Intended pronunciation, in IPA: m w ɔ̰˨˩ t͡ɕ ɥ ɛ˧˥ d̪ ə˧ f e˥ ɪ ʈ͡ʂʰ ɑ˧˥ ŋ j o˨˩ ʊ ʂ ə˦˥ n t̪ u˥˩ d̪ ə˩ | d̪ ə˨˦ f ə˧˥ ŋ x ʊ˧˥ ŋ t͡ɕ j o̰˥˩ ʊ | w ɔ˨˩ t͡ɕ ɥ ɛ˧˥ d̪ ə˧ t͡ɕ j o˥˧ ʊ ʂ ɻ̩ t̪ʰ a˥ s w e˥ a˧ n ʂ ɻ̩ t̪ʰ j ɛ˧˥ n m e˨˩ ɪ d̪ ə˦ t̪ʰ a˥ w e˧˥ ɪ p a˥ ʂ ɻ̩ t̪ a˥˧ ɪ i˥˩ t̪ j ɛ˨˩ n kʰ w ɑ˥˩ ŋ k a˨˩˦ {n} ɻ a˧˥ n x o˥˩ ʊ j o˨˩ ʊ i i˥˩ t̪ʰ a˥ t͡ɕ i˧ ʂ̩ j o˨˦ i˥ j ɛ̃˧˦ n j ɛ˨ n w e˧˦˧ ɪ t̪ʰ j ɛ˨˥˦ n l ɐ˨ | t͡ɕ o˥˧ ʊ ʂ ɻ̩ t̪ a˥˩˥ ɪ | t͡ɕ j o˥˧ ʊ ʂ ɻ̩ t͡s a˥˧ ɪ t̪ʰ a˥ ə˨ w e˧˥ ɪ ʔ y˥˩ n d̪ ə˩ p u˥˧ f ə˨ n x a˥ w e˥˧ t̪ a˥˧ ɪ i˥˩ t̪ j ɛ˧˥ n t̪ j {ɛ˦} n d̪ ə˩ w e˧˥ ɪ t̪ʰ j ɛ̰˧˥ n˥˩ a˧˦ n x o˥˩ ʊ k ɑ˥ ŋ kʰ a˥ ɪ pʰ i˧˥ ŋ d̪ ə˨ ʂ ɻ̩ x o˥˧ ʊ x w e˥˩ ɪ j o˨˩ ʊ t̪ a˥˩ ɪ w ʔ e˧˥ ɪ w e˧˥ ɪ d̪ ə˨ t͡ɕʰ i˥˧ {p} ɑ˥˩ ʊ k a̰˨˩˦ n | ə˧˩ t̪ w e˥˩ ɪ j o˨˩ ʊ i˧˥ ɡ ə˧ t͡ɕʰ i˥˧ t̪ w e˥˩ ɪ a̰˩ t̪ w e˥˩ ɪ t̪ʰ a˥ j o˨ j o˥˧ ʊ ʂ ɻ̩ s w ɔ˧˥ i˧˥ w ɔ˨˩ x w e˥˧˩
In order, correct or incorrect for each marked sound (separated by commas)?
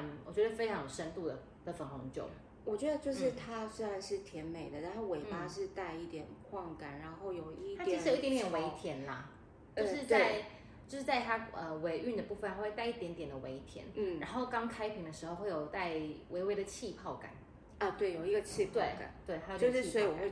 correct, incorrect, incorrect